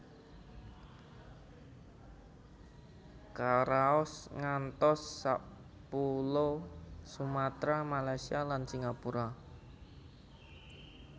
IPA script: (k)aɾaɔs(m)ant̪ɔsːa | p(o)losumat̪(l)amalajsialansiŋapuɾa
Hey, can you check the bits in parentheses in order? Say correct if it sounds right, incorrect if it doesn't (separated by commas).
correct, incorrect, incorrect, incorrect